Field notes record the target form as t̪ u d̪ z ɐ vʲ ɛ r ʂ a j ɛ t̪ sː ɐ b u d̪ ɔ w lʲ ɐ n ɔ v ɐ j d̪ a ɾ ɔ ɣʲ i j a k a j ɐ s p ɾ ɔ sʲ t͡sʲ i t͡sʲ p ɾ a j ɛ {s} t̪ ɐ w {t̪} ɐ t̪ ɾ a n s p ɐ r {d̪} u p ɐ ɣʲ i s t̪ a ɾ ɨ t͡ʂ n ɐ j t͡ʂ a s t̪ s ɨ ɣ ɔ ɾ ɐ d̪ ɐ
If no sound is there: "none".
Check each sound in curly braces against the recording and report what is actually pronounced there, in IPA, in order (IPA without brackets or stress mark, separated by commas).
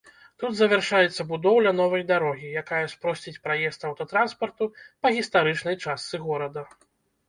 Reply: s, t̪, t̪